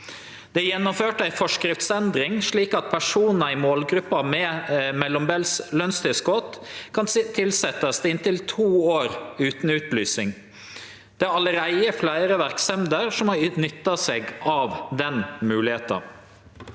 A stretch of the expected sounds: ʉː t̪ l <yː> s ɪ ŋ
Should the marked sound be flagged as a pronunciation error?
no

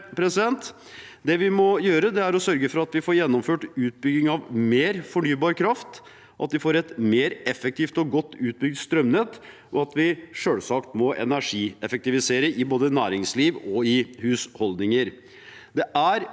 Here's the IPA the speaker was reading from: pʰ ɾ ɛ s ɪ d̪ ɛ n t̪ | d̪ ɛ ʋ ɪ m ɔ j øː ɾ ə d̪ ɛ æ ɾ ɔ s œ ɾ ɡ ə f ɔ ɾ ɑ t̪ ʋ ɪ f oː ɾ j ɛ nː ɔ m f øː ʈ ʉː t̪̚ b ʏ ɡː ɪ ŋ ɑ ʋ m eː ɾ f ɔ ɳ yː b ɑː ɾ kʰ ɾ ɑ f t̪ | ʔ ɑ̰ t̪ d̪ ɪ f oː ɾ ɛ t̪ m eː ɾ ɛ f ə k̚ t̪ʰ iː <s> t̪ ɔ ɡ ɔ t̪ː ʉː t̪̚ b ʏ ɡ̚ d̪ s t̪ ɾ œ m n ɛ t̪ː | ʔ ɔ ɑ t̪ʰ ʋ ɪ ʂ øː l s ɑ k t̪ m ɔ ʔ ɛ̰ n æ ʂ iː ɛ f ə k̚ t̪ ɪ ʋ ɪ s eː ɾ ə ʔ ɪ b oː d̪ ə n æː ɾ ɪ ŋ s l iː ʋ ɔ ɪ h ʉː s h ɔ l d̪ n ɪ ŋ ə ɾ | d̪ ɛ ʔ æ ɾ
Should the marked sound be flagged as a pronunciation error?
yes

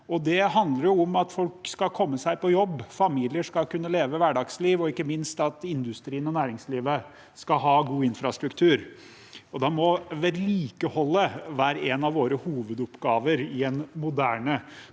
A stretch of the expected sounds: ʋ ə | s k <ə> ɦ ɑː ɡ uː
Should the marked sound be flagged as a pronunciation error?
yes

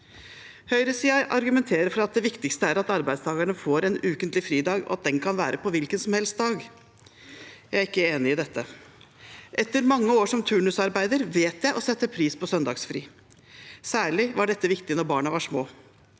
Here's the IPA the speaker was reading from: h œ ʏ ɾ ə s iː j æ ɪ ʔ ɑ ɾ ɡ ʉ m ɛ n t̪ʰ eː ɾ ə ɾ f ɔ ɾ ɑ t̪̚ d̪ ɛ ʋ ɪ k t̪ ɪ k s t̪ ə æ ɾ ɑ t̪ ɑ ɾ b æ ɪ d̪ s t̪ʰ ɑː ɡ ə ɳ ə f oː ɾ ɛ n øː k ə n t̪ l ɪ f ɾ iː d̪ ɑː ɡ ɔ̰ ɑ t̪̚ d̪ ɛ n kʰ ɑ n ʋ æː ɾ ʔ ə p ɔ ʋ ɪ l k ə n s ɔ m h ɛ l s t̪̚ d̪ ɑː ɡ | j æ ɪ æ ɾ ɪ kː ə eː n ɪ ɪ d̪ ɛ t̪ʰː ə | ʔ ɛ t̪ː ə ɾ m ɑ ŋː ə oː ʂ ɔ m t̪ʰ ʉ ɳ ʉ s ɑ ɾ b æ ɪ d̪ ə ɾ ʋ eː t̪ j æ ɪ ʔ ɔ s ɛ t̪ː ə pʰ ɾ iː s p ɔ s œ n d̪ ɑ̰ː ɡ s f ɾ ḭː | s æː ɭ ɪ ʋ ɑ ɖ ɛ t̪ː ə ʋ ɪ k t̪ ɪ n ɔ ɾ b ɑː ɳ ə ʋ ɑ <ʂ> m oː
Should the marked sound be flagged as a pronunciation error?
no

